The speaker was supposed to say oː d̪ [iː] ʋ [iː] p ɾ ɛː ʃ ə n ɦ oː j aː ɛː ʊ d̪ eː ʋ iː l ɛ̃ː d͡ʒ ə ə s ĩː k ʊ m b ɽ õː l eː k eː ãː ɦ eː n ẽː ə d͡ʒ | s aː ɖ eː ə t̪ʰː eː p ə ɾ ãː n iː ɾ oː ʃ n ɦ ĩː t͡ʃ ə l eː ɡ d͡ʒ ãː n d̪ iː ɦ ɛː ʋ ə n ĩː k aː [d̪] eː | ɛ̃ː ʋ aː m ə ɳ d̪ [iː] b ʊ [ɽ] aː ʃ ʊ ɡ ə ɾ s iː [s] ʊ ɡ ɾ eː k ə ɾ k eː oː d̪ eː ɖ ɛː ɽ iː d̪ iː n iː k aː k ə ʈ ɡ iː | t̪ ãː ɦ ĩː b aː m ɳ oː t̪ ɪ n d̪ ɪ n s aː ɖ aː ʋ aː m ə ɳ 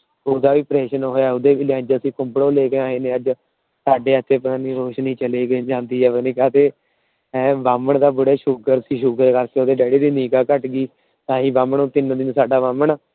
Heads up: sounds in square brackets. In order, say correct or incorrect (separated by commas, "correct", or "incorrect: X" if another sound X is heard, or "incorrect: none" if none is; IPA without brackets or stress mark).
incorrect: aː, correct, incorrect: t̪, incorrect: aː, correct, incorrect: ʃ